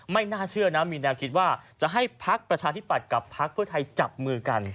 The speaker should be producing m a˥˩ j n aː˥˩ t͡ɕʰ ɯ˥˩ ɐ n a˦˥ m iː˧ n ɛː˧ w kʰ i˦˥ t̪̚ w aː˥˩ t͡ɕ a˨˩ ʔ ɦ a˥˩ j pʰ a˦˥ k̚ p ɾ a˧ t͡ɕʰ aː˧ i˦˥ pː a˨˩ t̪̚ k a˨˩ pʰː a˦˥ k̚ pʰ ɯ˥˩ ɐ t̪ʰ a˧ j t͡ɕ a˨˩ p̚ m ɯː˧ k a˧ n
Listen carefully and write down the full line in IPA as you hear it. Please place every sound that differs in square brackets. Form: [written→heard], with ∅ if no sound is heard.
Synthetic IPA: m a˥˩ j n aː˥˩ t͡ɕʰ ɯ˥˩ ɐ n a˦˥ m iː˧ n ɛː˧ w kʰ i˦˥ t̪̚ w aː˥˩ t͡ɕ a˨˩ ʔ ɦ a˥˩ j pʰ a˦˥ k̚ p ɾ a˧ t͡ɕʰ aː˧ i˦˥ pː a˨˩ t̪̚ k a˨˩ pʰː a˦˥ k̚ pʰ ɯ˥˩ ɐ t̪ʰ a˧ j t͡ɕ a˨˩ p̚ m ɯː˧ k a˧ n

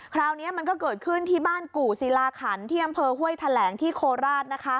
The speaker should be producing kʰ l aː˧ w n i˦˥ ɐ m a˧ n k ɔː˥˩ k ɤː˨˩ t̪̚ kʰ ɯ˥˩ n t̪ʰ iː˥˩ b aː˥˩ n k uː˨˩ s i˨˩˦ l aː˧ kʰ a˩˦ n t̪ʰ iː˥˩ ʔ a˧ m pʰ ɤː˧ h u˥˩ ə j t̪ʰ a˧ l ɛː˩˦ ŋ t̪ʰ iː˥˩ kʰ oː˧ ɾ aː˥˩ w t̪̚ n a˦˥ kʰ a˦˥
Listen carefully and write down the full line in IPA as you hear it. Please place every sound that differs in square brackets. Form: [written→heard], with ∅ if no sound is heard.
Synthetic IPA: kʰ [l→ɾ] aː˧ w n i˦˥ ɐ m a˧ n k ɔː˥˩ k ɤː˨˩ t̪̚ kʰ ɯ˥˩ n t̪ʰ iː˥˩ b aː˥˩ n k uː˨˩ s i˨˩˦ l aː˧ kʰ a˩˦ n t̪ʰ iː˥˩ ʔ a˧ m pʰ ɤː˧ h u˥˩ ə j t̪ʰ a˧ l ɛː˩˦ ŋ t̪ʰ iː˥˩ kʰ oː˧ ɾ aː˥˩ [w→∅] t̪̚ n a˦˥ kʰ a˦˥

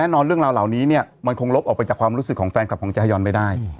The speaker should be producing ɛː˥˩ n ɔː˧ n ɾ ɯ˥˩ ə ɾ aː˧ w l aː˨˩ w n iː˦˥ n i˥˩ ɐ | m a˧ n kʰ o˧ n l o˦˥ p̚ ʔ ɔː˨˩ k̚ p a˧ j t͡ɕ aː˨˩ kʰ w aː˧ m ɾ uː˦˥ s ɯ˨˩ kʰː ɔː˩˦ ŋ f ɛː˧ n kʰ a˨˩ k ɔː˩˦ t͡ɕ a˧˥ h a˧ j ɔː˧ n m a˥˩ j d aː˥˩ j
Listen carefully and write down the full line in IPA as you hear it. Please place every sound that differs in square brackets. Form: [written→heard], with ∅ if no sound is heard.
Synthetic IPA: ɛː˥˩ n ɔː˧ n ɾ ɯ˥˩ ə ɾ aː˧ w l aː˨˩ w n iː˦˥ n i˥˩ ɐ | m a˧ n kʰ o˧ [n→ŋ] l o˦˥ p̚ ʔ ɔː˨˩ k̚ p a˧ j t͡ɕ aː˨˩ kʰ w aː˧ m ɾ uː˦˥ s ɯ˨˩ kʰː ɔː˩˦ ŋ f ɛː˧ n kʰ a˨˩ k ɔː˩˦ t͡ɕ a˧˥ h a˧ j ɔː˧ n m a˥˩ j d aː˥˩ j

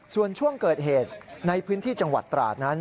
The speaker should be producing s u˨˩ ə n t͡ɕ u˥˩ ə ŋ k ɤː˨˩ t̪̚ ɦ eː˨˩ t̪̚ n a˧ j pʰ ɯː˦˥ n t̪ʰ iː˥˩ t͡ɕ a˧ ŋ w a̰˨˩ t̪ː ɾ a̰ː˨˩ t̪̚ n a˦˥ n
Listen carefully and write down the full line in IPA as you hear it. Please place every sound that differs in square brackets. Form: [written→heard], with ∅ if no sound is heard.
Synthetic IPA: s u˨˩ ə n [t͡ɕ→t͡ɕʰ] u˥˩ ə ŋ k ɤː˨˩ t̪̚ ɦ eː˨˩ t̪̚ n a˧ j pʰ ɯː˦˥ n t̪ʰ iː˥˩ t͡ɕ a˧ ŋ w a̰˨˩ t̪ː ɾ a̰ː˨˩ t̪̚ n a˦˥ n

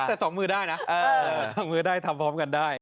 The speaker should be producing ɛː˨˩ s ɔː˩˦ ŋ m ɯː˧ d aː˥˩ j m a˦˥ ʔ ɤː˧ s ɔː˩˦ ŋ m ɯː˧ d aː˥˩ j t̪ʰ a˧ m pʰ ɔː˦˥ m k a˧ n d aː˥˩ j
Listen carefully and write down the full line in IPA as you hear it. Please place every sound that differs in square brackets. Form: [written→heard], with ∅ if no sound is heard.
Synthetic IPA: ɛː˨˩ s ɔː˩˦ ŋ m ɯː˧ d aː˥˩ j [m→n] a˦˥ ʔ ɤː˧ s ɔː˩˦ ŋ m ɯː˧ d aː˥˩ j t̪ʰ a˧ m pʰ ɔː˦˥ m k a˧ n d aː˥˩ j

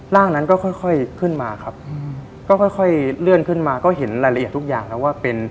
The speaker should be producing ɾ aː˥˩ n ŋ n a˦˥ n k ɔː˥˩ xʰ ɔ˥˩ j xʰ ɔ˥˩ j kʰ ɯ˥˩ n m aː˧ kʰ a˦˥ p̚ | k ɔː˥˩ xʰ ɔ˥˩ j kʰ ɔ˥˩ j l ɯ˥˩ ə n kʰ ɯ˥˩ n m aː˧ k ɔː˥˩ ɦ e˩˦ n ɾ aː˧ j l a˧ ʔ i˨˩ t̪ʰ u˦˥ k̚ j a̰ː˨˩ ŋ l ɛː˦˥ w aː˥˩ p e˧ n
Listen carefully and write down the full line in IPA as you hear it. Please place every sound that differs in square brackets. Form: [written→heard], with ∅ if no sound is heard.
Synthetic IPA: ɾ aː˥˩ [n→∅] ŋ n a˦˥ n k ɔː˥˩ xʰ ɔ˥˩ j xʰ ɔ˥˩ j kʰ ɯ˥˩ n m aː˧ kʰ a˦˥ p̚ | k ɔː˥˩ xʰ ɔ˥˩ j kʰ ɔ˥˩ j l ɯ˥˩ ə n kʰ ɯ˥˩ n m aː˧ k ɔː˥˩ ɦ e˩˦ n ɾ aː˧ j l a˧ ʔ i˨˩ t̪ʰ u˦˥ k̚ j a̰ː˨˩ ŋ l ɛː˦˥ w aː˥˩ p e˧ n

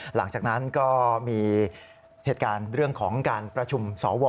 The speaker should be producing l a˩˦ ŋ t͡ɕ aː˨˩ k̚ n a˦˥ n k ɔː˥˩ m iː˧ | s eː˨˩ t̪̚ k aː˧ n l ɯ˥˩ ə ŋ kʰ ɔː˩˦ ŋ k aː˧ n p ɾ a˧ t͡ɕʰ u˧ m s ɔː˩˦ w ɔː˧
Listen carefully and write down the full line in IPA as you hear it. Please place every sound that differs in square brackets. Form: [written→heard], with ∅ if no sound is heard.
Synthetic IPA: l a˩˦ ŋ t͡ɕ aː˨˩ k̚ n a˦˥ n k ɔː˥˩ m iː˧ | [s→h] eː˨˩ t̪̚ k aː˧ n [l→ɾ] ɯ˥˩ ə ŋ kʰ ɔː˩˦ ŋ k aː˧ n p ɾ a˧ t͡ɕʰ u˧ m s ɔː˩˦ w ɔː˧

